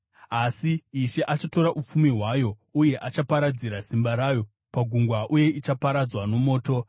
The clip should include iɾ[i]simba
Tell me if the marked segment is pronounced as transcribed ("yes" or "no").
no